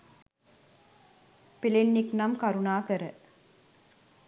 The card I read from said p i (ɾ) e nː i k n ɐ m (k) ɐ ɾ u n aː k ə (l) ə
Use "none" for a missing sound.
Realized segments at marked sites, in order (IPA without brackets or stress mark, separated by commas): l, k, ɾ